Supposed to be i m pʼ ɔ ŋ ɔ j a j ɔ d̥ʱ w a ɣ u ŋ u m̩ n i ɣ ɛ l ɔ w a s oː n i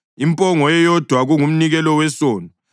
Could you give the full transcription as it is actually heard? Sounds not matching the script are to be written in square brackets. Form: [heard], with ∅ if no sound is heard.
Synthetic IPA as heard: i m pʼ ɔ ŋ ɔ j [ɛ] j ɔ d̥ʱ w a ɣ u ŋ u m̩ n i ɣ ɛ l ɔ w [ɛ] s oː n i

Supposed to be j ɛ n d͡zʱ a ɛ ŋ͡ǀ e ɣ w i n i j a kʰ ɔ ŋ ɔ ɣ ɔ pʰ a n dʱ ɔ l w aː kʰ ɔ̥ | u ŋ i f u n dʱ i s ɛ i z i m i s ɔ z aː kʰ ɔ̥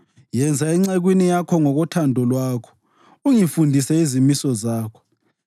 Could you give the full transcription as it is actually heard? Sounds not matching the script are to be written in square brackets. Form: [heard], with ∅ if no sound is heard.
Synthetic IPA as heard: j ɛ n d͡zʱ a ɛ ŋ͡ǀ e ɣ w i n i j a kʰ ɔ ŋ ɔ ɣ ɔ [tʰ] a n dʱ ɔ l w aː kʰ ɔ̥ | u ŋ i f u n dʱ i s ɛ i z i m i s ɔ z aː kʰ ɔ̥

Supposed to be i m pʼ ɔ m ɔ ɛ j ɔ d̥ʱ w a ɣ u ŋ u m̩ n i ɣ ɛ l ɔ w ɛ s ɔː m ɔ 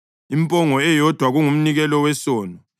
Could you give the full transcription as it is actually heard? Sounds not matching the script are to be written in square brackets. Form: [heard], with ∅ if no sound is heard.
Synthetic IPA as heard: i m pʼ ɔ [ŋ] ɔ ɛ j ɔ d̥ʱ w a ɣ u ŋ u m̩ n i ɣ ɛ l ɔ w ɛ s ɔː [n] ɔ

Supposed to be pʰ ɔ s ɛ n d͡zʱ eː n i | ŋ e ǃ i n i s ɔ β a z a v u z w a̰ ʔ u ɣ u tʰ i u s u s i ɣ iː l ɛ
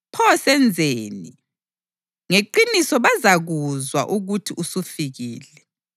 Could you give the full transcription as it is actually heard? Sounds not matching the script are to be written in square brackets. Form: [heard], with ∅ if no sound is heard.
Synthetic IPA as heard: pʰ ɔ s ɛ n d͡zʱ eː n i | ŋ e ǃ i n i s ɔ β a z a [ɣ] u z w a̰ ʔ u ɣ u tʰ i u s u [f] i ɣ iː l ɛ

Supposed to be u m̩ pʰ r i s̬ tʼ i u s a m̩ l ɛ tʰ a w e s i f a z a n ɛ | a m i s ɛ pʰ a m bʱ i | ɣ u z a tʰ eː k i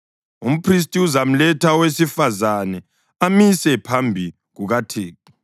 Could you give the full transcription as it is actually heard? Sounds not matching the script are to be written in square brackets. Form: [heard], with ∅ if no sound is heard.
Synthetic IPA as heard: u m̩ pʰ r i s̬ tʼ i u [z] a m̩ l ɛ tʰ a w e s i f a z a n ɛ | a m i s ɛ pʰ a m bʱ i | ɣ u [ɣ] a tʰ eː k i

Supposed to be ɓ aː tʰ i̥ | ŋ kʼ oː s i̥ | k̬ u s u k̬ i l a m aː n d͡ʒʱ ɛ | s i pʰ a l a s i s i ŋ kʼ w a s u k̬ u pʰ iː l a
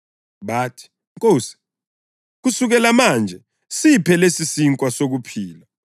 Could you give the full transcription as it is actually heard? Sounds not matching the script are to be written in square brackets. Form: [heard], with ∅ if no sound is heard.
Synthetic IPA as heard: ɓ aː tʰ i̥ | ŋ kʼ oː s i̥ | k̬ u s u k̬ [ɛ] l a m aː n d͡ʒʱ ɛ | s i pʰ [ɛ] l [e] s i s i ŋ kʼ w a s [o] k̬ u pʰ iː l a

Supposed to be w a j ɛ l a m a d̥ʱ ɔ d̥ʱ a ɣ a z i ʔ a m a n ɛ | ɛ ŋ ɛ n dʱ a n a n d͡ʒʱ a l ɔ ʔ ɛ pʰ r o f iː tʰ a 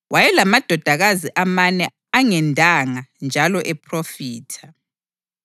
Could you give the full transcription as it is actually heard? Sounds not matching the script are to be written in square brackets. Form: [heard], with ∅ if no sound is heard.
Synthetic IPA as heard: w a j ɛ l a m a d̥ʱ ɔ d̥ʱ a ɣ a z i ʔ a m a n ɛ | [a] ŋ ɛ n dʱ a [ŋ] a n d͡ʒʱ a l ɔ ʔ ɛ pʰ r o f iː tʰ a

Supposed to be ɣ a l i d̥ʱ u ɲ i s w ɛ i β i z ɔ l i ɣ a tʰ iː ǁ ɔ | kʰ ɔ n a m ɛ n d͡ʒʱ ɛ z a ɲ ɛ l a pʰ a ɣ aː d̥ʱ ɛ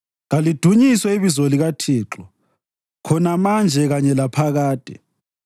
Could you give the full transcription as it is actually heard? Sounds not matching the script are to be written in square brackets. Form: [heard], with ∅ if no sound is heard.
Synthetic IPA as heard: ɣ a l i d̥ʱ u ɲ i s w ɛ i β i z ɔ l i ɣ a tʰ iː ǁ ɔ | kʰ ɔ n a m [a] n d͡ʒʱ ɛ [ɣ] a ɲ ɛ l a pʰ a ɣ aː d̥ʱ ɛ

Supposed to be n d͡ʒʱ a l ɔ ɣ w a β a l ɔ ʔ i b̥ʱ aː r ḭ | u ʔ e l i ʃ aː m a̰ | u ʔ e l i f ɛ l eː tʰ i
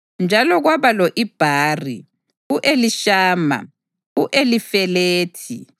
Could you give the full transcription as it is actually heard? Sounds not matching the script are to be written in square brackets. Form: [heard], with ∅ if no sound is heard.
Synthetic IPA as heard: n d͡ʒʱ a l ɔ ɣ w a β a l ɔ ʔ i b̥ʱ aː r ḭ | u ʔ e l i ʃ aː m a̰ | u ʔ e l i f ɛ l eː tʰ i

